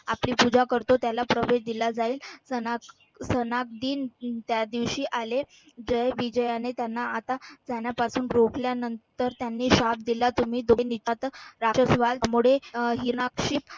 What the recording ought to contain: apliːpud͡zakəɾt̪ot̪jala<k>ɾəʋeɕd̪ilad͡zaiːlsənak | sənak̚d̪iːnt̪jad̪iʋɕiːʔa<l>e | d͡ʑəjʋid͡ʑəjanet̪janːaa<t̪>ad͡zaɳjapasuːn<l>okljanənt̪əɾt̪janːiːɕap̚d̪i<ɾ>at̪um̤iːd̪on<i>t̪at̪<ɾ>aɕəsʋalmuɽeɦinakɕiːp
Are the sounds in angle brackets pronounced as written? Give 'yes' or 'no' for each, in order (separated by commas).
no, yes, yes, no, no, yes, yes